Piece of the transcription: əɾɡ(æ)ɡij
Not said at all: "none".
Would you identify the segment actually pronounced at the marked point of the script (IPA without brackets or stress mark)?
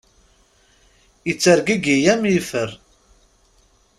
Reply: i